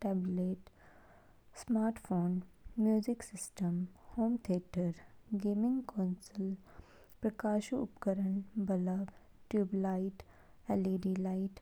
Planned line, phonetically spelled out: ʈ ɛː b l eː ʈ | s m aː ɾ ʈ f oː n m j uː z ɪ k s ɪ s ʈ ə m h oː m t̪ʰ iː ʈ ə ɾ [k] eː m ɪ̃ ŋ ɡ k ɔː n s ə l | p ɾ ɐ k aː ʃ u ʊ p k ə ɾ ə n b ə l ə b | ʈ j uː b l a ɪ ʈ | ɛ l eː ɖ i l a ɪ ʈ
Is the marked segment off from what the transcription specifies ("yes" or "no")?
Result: yes